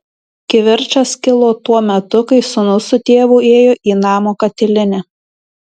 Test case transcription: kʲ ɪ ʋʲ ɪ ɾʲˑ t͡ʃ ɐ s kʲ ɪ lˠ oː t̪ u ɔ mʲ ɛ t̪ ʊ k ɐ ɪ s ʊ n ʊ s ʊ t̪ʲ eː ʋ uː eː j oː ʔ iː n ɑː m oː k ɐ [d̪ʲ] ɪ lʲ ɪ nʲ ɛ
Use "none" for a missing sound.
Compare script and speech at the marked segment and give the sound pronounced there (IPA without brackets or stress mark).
t̪ʲ